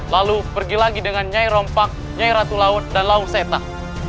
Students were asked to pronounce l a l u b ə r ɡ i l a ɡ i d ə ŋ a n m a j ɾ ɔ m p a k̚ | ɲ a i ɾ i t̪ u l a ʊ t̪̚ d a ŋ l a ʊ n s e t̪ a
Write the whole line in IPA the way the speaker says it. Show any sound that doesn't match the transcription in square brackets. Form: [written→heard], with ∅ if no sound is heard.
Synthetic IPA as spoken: l a l u [b→p] ə r ɡ i l a ɡ i d ə ŋ a n [m→ɲ] a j ɾ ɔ m p a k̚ | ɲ a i ɾ [i→a] t̪ u l a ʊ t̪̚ d a [ŋ→n] l a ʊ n s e t̪ a

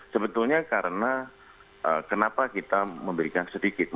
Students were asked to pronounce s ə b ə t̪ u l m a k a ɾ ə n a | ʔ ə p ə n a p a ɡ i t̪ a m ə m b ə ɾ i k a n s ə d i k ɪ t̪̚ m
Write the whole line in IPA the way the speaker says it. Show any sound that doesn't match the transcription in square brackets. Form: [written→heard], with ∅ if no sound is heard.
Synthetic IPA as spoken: s ə b ə t̪ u l [m→ɲ] a k a ɾ ə n a | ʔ ə [p→k] ə n a p a [ɡ→k] i t̪ a m ə m b ə ɾ i k a n s ə d i k ɪ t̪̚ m

